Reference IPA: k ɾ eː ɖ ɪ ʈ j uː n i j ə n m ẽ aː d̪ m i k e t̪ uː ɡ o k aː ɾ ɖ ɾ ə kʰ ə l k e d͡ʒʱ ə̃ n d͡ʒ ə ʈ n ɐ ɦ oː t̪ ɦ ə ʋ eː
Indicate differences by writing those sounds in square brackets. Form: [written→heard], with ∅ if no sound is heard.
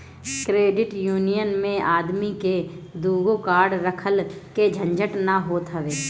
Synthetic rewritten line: k ɾ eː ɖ ɪ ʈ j uː n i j ə n m ẽ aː d̪ m i k e [t̪→d̪] uː ɡ o k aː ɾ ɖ ɾ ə kʰ ə l k e d͡ʒʱ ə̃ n d͡ʒ ə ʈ n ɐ ɦ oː t̪ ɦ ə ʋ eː